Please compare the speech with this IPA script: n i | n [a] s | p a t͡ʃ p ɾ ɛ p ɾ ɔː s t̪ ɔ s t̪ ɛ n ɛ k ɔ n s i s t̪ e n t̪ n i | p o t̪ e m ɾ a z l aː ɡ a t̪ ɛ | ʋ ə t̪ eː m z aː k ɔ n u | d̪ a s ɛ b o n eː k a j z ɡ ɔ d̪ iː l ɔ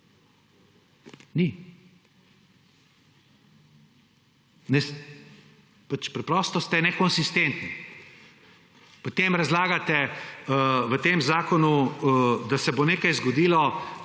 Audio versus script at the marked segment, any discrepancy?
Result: yes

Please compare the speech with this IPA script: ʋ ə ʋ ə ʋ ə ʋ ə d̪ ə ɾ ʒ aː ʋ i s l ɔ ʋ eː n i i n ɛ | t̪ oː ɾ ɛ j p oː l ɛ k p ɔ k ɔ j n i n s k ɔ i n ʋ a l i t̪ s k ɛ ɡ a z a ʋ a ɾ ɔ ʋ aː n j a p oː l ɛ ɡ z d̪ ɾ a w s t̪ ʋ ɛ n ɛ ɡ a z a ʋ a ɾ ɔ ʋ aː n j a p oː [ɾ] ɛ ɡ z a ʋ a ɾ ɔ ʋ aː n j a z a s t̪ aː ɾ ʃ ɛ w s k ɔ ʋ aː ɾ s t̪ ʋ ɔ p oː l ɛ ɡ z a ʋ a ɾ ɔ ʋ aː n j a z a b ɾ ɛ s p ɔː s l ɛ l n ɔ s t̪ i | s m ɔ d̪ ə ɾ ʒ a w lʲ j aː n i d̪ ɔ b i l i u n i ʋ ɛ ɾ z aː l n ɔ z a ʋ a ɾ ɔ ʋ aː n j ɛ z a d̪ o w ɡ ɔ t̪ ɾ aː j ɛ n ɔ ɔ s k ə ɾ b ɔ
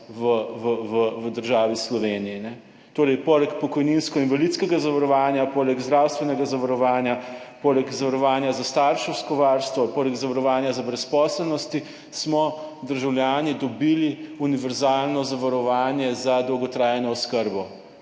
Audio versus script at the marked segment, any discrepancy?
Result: yes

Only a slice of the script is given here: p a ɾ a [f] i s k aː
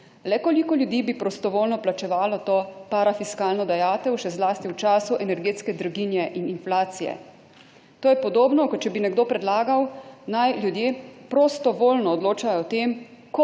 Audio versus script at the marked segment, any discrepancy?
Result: no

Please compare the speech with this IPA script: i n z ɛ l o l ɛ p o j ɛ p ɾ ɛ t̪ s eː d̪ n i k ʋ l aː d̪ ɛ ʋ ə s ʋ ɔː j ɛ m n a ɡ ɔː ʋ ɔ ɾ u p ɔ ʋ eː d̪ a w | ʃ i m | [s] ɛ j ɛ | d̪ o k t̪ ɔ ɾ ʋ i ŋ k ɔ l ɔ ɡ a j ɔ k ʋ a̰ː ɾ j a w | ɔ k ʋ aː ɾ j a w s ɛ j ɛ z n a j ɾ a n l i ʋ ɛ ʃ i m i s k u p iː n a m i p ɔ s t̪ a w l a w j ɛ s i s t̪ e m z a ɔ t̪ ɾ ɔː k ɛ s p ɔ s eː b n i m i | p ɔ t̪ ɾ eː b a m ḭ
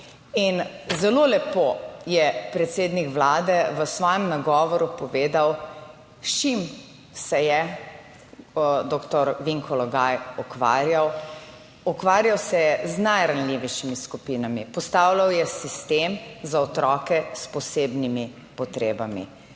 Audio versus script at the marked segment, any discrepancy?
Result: no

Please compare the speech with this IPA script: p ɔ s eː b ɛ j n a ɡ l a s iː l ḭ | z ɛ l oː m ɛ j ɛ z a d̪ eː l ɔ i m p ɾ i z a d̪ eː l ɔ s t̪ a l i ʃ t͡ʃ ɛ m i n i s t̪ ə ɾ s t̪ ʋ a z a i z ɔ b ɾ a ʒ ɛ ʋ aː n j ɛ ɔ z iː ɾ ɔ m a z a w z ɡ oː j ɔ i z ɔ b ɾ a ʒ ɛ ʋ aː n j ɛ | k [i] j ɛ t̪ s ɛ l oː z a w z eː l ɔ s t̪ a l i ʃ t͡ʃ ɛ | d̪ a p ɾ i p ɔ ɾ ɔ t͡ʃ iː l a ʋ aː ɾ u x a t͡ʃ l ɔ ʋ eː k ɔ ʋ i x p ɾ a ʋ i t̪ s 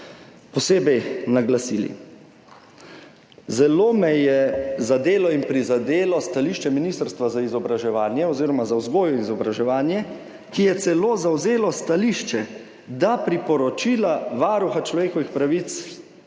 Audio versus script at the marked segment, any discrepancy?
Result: no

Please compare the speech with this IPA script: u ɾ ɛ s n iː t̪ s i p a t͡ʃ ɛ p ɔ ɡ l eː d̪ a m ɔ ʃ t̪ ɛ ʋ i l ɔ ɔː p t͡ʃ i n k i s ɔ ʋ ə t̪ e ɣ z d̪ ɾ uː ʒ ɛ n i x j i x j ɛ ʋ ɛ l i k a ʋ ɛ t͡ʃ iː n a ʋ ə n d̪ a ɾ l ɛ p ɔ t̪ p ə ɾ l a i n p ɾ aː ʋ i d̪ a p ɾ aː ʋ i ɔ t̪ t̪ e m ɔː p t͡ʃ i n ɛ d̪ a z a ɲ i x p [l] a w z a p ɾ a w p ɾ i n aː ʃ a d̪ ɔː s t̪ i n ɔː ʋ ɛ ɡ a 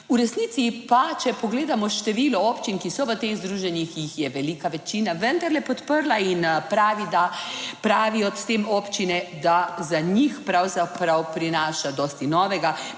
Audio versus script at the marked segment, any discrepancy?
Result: yes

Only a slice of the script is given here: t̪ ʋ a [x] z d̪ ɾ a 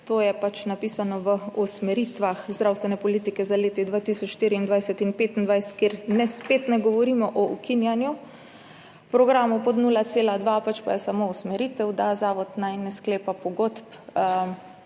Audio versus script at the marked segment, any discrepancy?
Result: no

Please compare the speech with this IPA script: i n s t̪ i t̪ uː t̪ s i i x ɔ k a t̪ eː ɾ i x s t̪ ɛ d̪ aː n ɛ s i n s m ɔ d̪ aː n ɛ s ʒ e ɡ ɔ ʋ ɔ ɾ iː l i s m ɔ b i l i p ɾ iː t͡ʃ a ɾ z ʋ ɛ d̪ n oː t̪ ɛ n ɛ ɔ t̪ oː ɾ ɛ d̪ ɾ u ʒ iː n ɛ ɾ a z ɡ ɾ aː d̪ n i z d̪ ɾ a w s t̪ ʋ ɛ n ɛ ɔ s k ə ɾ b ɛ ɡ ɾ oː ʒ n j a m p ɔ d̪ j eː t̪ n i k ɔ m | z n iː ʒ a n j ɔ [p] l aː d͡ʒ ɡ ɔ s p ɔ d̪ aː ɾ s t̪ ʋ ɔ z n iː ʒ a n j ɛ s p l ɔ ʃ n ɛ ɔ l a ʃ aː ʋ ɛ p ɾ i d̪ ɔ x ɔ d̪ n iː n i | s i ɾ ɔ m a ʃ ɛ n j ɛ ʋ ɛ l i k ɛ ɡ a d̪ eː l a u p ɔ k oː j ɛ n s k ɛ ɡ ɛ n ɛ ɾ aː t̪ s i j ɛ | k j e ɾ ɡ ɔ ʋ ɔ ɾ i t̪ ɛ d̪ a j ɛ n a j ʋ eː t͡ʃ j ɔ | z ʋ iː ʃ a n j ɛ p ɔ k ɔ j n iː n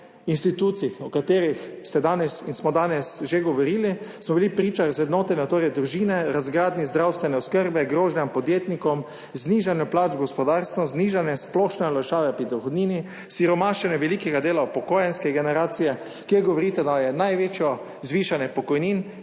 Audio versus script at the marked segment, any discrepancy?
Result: no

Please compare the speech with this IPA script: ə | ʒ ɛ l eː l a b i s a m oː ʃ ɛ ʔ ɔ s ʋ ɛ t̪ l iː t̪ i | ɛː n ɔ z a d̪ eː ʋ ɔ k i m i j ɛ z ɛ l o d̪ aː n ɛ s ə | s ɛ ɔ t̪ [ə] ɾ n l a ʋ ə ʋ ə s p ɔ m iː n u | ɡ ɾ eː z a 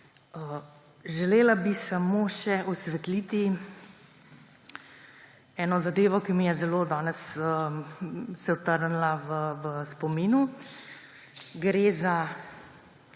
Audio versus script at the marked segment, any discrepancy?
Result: no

